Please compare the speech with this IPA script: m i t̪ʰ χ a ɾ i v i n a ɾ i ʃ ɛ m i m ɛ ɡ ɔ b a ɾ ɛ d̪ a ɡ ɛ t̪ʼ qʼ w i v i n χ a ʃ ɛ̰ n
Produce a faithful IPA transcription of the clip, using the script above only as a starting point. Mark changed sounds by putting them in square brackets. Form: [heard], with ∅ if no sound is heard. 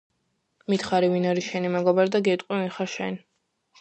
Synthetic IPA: m i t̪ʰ χ a ɾ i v i n a ɾ i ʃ ɛ [n] i m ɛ ɡ ɔ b a ɾ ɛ d̪ a ɡ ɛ t̪ʼ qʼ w i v i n χ a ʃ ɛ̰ n

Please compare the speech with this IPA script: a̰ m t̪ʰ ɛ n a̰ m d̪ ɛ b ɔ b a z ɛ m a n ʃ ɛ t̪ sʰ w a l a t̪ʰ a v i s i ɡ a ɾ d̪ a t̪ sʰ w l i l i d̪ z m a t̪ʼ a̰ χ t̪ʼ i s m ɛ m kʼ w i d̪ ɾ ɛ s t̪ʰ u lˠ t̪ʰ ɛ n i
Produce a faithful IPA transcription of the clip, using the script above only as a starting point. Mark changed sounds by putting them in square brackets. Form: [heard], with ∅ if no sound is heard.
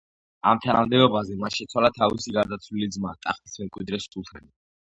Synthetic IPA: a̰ m t̪ʰ [a] n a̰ m d̪ ɛ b ɔ b a z ɛ m a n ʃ ɛ t̪ sʰ w a l a t̪ʰ a v i s i ɡ a ɾ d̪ a t̪ sʰ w l i l i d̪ z m a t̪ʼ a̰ χ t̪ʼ i s m ɛ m kʼ w i d̪ ɾ ɛ s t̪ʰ u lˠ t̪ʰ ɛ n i

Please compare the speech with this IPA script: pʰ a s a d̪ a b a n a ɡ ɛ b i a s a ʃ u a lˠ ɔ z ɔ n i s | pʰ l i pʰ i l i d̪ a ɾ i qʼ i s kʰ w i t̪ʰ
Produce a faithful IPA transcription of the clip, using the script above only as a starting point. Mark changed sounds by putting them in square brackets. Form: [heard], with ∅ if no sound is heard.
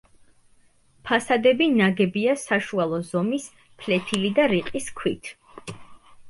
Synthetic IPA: pʰ a s a d̪ [ɛ] b [i] n a ɡ ɛ b i a s a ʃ u a lˠ ɔ z ɔ [m] i s | pʰ l [ɛ] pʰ i l i d̪ a ɾ i qʼ i s kʰ w i t̪ʰ

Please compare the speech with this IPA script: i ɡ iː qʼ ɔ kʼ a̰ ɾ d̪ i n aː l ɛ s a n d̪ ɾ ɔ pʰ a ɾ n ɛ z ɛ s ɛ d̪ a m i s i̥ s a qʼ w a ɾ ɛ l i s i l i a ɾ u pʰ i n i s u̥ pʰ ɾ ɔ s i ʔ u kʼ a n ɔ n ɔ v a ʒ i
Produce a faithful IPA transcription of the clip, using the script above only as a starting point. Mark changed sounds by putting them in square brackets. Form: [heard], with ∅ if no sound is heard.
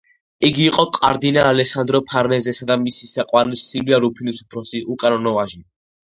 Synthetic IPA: i ɡ iː qʼ ɔ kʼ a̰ ɾ d̪ i n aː l ɛ s a n d̪ ɾ ɔ pʰ a ɾ n ɛ z ɛ s [a] d̪ a m i s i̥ s a qʼ w a ɾ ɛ l i s i l i a ɾ u pʰ i n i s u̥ pʰ ɾ ɔ s i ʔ u kʼ a n ɔ n ɔ v a ʒ i

